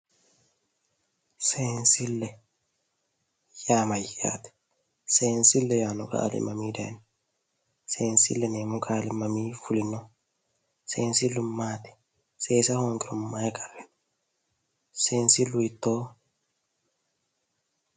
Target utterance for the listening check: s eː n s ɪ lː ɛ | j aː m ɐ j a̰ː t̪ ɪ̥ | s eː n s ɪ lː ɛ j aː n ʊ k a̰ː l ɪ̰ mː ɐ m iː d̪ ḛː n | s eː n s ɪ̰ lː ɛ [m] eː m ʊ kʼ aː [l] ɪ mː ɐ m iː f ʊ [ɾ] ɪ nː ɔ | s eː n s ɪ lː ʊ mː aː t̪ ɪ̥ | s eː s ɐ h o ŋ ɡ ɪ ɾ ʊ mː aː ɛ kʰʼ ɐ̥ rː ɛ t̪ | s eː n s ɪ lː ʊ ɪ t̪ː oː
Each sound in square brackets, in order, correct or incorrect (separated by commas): incorrect, correct, incorrect